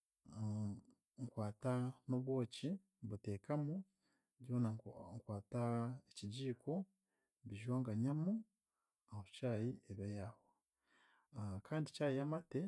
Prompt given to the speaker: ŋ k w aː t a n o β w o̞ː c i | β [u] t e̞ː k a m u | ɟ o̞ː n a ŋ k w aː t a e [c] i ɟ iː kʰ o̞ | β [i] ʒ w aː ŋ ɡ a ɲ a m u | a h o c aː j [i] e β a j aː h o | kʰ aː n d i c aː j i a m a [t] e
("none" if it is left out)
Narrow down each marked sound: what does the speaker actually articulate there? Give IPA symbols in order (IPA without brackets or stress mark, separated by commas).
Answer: u, c, i, i, t